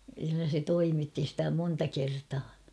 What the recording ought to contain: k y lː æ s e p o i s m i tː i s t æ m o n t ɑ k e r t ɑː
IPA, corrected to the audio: k y lː æ s e t o i m i tː i s t æ m o n t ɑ k e r t ɑː